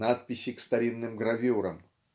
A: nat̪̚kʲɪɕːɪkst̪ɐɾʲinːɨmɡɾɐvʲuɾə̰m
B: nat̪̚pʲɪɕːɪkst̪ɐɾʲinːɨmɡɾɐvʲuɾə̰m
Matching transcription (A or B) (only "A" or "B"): B